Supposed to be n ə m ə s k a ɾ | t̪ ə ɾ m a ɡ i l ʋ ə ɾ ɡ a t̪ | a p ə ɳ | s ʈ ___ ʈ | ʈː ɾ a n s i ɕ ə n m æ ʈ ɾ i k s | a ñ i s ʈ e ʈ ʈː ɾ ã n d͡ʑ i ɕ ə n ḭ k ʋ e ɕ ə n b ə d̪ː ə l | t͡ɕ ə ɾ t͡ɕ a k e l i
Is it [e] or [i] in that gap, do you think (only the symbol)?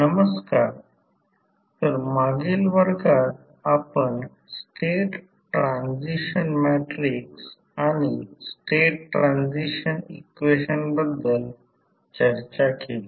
e